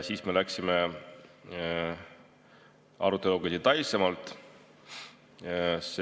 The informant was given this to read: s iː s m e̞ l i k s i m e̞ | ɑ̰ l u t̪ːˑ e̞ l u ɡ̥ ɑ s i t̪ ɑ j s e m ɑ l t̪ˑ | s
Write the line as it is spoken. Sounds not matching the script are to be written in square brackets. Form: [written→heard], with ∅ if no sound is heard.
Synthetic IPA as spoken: s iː s m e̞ l [i→æ] k s i m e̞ | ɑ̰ [l→ɾ] u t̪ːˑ e̞ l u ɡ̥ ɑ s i t̪ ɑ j s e m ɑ l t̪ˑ | s